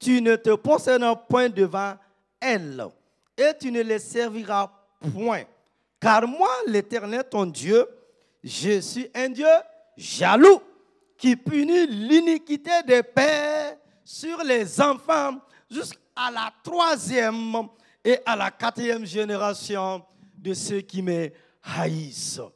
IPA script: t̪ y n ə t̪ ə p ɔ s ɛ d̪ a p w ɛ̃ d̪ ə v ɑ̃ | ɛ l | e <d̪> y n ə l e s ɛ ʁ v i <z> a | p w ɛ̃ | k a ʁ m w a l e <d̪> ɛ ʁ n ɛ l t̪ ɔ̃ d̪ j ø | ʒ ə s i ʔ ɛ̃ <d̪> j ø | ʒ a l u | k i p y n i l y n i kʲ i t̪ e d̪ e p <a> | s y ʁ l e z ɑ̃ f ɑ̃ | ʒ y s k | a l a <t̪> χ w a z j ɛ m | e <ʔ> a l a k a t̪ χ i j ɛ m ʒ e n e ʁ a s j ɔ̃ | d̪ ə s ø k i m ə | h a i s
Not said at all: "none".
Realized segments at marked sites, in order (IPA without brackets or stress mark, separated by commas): t̪, ʁ, t̪, d̪, ɛ, t̪, ʔ